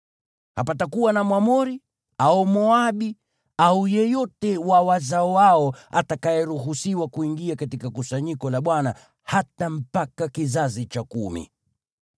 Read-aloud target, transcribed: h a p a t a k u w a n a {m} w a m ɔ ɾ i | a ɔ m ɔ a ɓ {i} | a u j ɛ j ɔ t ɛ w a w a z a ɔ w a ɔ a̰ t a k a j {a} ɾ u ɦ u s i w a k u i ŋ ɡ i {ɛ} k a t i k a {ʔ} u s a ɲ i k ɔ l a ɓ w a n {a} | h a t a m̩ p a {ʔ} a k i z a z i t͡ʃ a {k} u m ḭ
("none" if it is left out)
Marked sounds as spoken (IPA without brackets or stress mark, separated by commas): m, i, ɛ, a, k, a, k, k